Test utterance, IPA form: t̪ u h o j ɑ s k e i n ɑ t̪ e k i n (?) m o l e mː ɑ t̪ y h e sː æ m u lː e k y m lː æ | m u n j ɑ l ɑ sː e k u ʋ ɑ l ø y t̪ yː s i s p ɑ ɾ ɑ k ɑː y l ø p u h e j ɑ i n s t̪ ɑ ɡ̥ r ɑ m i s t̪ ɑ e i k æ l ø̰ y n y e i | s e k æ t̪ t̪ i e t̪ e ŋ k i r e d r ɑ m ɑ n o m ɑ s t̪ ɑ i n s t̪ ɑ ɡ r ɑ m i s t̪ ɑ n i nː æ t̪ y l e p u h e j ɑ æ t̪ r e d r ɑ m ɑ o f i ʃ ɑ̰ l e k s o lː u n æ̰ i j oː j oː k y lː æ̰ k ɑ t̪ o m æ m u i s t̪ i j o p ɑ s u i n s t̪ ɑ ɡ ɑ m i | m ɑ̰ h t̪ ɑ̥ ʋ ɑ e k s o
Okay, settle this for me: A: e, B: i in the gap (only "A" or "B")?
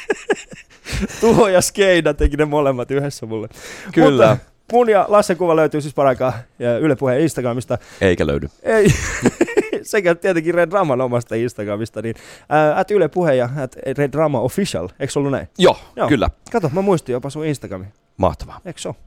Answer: A